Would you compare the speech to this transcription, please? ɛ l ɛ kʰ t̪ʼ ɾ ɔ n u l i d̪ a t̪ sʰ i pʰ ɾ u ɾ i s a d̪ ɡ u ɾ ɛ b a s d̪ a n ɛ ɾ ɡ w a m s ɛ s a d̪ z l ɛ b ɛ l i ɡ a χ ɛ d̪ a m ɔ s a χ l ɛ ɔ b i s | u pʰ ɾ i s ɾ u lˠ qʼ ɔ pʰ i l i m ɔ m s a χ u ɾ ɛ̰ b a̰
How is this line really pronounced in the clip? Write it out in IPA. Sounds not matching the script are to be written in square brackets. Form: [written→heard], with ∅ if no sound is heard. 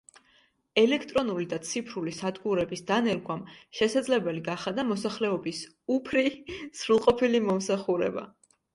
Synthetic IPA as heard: ɛ l ɛ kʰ t̪ʼ ɾ ɔ n u l i d̪ a t̪ sʰ i pʰ ɾ u [ɾ→l] i s a d̪ ɡ u ɾ ɛ b [a→i] s d̪ a n ɛ ɾ ɡ w a m [s→ʃ] ɛ s a d̪ z l ɛ b ɛ l i ɡ a χ [ɛ→a] d̪ a m ɔ s a χ l ɛ ɔ b i s | u pʰ ɾ i s ɾ u lˠ qʼ ɔ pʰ i l i m ɔ m s a χ u ɾ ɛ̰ b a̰